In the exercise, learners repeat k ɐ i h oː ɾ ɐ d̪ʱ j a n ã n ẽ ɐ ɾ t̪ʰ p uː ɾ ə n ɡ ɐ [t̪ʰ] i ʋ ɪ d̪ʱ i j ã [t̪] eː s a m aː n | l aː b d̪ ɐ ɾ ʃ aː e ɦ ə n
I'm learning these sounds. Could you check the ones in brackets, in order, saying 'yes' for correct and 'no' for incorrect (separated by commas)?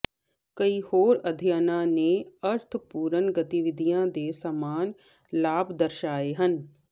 no, no